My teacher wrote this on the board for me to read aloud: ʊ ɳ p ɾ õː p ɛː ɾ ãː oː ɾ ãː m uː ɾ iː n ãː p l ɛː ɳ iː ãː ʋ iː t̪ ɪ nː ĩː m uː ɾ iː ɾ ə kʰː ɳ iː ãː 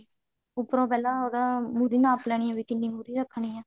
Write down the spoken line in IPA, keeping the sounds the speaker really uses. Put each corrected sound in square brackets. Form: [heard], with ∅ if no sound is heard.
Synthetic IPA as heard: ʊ [∅] p ɾ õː p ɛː [l] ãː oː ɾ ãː m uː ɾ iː n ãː p l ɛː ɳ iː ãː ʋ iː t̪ ɪ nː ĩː m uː ɾ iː ɾ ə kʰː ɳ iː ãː

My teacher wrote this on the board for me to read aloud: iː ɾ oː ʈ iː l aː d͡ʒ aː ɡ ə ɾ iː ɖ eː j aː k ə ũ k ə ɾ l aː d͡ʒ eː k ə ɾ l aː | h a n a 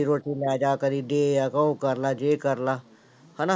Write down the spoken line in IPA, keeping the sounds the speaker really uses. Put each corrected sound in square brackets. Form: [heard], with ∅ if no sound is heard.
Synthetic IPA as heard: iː ɾ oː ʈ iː l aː d͡ʒ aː [k] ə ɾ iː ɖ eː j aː k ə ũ k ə ɾ l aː d͡ʒ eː k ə ɾ l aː | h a n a

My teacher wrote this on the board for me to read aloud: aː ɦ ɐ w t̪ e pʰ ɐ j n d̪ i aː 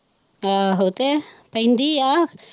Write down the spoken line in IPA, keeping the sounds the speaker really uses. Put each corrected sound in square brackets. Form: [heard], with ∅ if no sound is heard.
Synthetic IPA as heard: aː ɦ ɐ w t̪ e [p] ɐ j n d̪ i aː

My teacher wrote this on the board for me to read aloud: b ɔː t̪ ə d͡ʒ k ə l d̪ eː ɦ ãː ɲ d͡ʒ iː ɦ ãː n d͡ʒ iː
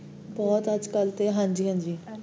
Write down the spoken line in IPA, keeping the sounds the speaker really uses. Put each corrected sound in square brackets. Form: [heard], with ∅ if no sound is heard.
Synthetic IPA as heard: b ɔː t̪ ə d͡ʒ k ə l [t̪] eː ɦ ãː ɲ d͡ʒ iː ɦ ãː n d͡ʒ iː

